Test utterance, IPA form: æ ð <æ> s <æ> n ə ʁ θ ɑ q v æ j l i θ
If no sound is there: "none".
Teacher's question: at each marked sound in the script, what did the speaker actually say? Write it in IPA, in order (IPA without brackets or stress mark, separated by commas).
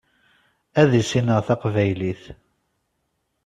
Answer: i, i